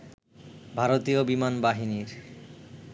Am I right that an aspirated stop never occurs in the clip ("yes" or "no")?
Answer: yes